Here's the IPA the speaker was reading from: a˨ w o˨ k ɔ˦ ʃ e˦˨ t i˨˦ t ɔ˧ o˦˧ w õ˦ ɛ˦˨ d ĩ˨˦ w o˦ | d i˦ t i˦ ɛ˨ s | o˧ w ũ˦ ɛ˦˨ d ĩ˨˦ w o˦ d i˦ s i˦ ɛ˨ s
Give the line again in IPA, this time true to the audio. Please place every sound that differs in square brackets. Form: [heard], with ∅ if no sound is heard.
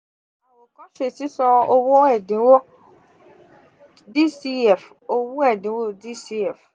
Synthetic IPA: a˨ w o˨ k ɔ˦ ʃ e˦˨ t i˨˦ [s] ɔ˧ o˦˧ w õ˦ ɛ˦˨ d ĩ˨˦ w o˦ | d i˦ [s] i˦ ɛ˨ [f] | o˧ w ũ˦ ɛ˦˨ d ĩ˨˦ w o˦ d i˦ s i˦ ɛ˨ [f]